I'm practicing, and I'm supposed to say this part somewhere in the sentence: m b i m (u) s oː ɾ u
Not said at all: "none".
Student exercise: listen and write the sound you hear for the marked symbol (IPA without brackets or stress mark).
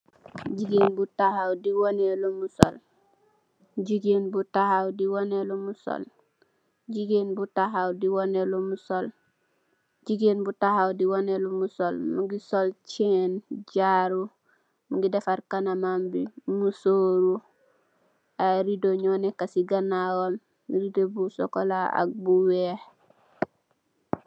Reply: u